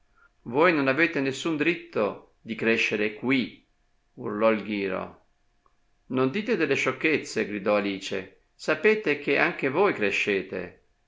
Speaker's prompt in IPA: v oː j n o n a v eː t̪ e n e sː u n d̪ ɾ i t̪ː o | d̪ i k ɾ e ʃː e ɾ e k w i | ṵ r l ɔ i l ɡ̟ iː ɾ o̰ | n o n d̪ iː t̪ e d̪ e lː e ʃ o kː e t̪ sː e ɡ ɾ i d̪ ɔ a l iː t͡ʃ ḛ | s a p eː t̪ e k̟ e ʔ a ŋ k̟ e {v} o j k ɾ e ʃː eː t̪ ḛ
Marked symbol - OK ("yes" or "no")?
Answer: yes